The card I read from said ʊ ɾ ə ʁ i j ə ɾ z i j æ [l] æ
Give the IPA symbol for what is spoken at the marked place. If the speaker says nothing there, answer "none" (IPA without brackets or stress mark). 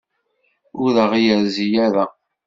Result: ɾ